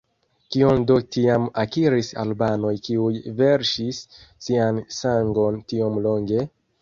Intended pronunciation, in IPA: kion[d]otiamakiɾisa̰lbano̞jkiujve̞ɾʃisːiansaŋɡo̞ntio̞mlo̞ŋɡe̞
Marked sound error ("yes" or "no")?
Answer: no